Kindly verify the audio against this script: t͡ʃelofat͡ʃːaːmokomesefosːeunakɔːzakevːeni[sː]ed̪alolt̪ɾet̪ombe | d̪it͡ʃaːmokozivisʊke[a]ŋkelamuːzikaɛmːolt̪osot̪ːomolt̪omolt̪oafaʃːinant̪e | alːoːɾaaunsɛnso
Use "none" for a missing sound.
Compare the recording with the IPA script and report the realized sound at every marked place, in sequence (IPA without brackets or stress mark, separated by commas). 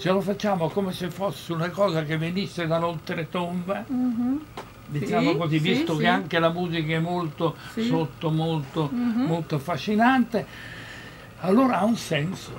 sː, a